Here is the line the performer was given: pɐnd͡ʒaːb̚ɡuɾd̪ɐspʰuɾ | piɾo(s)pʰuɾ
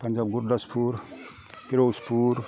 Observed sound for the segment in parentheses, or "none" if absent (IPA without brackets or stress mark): s